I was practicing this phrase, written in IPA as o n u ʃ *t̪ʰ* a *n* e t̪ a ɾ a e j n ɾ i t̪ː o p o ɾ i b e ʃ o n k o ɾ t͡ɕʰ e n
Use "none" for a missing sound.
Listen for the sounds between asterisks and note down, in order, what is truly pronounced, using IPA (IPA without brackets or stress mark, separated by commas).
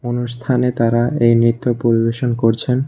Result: t̪ʰ, n